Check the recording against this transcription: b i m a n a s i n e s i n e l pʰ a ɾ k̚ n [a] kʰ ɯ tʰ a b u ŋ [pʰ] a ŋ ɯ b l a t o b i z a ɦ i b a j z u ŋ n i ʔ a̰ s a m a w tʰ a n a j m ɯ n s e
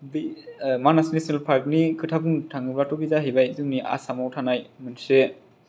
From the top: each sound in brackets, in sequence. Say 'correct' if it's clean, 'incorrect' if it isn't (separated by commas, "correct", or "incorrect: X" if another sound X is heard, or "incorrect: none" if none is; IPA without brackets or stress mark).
incorrect: i, incorrect: tʰ